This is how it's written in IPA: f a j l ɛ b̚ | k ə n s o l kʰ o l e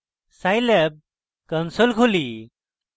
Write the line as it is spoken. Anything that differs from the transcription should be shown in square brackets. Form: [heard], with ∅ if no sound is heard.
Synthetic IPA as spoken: [s] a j l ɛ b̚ | k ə n s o l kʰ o l [i]

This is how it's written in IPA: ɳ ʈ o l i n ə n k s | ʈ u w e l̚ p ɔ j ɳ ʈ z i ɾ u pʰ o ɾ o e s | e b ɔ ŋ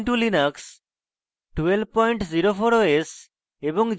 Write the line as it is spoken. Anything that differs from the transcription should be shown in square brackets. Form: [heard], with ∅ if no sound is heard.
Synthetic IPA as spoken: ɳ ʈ [u] l i n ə [∅] k s | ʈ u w e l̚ p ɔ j ɳ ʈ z i ɾ [o] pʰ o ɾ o e s | e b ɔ ŋ

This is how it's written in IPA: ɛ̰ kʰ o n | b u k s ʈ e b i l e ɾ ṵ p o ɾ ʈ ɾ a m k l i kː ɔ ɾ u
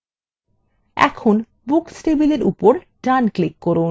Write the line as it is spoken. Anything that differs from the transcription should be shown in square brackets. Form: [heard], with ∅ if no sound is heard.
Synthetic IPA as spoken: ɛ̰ kʰ o n | b u k s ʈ e b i l e ɾ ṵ p o ɾ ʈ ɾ a [n] k l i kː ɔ ɾ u

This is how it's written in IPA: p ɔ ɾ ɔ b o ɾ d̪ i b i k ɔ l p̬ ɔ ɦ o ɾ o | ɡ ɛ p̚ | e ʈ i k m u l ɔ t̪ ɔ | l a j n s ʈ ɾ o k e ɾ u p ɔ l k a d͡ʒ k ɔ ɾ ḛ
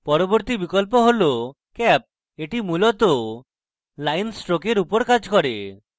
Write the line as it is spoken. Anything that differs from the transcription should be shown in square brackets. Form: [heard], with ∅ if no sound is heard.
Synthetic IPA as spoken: p ɔ ɾ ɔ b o ɾ [t̪] i b i k ɔ l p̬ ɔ ɦ o [l] o | [k] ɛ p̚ | e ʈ i [∅] m u l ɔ t̪ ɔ | l a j n s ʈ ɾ o k e ɾ u p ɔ [ɾ] k a d͡ʒ k ɔ ɾ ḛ

